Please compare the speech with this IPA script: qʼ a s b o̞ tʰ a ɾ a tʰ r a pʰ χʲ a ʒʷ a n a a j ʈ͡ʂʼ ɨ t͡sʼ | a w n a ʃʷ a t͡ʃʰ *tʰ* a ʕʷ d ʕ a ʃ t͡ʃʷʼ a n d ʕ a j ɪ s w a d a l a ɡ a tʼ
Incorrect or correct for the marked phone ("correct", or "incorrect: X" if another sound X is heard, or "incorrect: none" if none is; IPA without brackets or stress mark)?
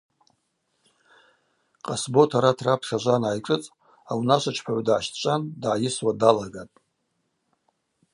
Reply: incorrect: pʰ